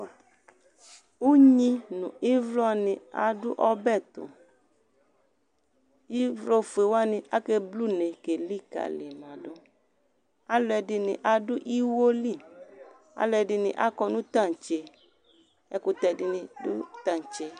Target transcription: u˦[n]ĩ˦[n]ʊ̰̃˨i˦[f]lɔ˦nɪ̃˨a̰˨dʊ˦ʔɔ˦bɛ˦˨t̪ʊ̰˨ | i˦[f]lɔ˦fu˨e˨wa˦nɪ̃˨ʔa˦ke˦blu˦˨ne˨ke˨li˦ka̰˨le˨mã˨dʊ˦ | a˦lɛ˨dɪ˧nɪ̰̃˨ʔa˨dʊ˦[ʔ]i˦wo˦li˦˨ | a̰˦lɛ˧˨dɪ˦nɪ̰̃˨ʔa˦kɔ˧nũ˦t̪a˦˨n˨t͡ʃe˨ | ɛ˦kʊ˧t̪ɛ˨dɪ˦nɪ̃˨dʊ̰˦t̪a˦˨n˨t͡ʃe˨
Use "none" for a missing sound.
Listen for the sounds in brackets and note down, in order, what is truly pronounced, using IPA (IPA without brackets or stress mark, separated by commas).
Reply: ɲ, n, v, v, ʔ